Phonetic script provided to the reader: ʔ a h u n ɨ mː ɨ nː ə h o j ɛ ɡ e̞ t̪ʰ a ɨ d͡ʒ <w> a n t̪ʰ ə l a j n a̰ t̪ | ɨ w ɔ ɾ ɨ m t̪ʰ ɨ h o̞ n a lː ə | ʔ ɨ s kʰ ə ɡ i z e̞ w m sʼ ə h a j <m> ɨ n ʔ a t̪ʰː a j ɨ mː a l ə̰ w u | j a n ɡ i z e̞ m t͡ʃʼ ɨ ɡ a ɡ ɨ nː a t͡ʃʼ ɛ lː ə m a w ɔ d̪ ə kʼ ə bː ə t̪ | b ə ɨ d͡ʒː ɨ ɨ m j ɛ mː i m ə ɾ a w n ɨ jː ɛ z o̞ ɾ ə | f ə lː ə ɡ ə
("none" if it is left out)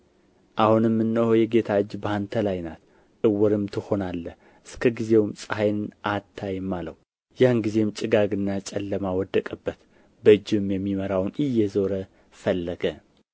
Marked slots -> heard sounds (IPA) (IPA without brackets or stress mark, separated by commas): b, n